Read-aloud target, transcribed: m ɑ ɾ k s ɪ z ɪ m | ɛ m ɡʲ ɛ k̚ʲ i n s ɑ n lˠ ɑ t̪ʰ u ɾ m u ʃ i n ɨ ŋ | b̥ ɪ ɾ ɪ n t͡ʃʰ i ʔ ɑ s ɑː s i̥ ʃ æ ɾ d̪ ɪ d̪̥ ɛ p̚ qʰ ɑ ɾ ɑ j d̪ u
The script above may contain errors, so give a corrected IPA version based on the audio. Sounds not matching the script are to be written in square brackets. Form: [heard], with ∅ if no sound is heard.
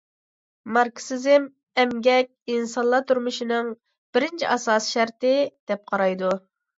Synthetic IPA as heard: m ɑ ɾ k s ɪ z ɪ m | ɛ m ɡʲ ɛ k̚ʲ i n s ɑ n lˠ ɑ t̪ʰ u ɾ m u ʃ i n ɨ ŋ | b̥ ɪ ɾ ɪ n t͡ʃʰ i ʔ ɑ s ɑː s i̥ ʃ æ ɾ [t̪] ɪ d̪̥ ɛ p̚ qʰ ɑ ɾ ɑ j d̪ u

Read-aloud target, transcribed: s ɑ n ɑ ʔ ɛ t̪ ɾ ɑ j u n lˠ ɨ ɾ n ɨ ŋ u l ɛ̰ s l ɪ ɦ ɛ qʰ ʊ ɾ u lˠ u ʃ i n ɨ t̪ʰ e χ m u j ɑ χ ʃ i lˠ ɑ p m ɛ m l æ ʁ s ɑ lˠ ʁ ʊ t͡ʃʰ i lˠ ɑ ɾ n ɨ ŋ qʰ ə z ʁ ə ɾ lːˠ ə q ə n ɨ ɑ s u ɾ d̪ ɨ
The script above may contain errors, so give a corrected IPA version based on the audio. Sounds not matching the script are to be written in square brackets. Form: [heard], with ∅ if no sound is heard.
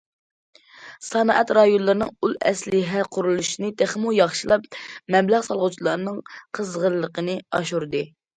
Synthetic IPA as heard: s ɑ n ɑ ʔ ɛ t̪ ɾ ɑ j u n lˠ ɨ ɾ n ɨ ŋ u l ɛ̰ s l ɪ ɦ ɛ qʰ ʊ ɾ u lˠ u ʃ i n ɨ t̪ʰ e χ m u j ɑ χ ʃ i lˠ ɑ p m ɛ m l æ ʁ s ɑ lˠ ʁ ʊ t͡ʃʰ i lˠ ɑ ɾ n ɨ ŋ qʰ ə z ʁ ə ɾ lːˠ ə q ə n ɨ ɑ [ʃ] u ɾ d̪ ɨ

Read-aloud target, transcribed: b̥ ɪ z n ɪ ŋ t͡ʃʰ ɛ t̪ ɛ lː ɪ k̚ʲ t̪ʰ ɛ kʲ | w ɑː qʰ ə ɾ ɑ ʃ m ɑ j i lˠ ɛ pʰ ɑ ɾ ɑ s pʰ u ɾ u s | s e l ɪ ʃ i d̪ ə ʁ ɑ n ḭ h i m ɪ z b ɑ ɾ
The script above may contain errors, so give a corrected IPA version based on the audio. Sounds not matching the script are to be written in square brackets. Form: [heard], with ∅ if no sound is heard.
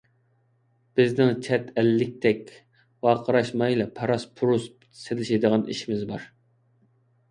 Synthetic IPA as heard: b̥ ɪ z n ɪ ŋ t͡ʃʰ ɛ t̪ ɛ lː ɪ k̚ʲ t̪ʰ ɛ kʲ | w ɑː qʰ ə ɾ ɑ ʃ m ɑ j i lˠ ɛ pʰ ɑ ɾ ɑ s pʰ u ɾ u s | s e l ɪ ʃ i d̪ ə ʁ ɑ n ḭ [ʃ] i m ɪ z b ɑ ɾ

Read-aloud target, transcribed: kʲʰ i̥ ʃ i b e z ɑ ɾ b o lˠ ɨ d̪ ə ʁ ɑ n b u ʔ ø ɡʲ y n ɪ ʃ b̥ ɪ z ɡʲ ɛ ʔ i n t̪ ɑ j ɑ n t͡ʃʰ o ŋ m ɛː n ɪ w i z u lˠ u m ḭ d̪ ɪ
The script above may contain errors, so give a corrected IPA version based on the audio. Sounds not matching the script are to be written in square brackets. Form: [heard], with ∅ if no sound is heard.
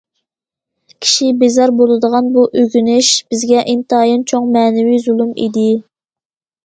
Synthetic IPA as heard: kʲʰ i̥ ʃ i b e z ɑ ɾ b o lˠ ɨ d̪ ə ʁ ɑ n b u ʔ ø ɡʲ y n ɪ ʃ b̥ ɪ z ɡʲ ɛ ʔ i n t̪ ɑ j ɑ n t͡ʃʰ o ŋ m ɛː n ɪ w i z u lˠ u m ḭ d̪ ɪ

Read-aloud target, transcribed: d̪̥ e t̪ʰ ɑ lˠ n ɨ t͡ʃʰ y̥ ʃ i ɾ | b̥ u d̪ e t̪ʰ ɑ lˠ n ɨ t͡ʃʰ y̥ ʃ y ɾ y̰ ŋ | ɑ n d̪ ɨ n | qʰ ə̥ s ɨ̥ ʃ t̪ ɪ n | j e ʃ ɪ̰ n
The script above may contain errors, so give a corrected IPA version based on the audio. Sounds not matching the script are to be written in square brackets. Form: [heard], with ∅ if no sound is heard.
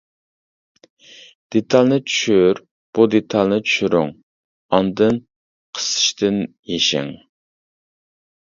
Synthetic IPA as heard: d̪̥ e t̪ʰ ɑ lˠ n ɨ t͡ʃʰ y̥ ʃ [y] ɾ | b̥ u d̪ e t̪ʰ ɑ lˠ n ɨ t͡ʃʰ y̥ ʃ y ɾ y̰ ŋ | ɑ n d̪ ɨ n | qʰ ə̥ s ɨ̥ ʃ t̪ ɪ n | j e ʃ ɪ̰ [ŋ]

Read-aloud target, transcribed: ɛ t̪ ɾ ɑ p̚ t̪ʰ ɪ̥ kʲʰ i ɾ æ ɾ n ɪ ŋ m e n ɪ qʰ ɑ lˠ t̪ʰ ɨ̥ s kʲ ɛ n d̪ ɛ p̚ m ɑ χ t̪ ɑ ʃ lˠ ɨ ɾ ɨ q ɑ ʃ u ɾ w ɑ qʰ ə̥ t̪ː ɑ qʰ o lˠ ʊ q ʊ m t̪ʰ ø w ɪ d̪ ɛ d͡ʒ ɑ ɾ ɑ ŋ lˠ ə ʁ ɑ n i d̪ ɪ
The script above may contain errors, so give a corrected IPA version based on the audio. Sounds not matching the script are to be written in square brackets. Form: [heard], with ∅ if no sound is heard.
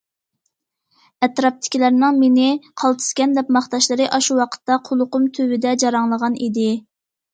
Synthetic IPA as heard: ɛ t̪ ɾ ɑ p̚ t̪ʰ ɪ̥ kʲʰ i [l] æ ɾ n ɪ ŋ m e n ɪ qʰ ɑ lˠ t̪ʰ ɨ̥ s kʲ ɛ n d̪ ɛ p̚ m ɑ χ t̪ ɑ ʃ lˠ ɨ ɾ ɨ [ʔ] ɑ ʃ u [∅] w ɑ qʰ ə̥ t̪ː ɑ qʰ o lˠ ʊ q ʊ m t̪ʰ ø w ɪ d̪ ɛ d͡ʒ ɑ ɾ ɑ ŋ lˠ ə ʁ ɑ n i d̪ ɪ

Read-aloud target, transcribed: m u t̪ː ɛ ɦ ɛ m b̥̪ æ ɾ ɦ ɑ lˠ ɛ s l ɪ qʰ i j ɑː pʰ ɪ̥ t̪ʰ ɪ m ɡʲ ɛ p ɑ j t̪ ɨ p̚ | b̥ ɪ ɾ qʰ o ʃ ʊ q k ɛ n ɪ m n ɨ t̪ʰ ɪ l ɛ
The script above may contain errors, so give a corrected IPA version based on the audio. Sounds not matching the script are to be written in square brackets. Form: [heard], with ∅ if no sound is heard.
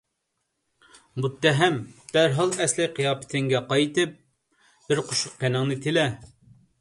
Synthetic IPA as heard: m u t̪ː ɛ ɦ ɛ m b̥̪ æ ɾ ɦ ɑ lˠ ɛ s l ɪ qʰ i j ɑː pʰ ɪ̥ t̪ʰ ɪ [ŋ] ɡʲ ɛ [q] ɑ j t̪ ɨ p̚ | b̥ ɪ ɾ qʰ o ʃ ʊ q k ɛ n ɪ [ŋ] n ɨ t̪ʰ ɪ l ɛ

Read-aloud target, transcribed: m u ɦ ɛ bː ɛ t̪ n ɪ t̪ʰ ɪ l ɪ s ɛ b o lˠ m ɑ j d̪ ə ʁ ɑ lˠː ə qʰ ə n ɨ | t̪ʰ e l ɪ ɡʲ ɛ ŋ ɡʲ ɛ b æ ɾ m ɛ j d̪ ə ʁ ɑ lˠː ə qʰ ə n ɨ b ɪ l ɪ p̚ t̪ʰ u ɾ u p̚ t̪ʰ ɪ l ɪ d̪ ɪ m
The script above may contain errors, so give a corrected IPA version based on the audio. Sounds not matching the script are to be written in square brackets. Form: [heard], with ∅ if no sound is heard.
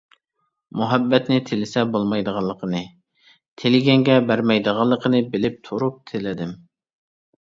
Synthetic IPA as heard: m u ɦ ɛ bː ɛ t̪ n ɪ t̪ʰ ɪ l ɪ s ɛ b o lˠ m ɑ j d̪ ə ʁ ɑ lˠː ə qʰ ə n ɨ | t̪ʰ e l ɪ ɡʲ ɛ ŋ ɡʲ ɛ b æ ɾ m ɛ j d̪ ə ʁ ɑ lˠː ə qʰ ə n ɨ b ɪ l ɪ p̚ t̪ʰ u ɾ u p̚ t̪ʰ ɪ l ɪ d̪ ɪ m

